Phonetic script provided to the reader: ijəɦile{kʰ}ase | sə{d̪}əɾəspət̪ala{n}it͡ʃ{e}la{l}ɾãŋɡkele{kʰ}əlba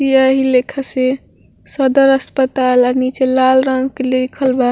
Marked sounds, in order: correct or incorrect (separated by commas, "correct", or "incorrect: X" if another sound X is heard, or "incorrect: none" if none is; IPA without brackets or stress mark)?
correct, correct, correct, correct, correct, correct